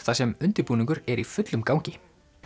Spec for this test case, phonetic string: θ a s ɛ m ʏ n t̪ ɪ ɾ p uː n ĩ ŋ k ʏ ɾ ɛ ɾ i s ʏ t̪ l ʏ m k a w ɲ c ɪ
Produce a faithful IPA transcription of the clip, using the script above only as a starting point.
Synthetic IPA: θ a s ɛ m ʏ n t̪ ɪ ɾ p uː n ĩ ŋ k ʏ ɾ ɛ ɾ i f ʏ t̪ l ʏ m k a w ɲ c ɪ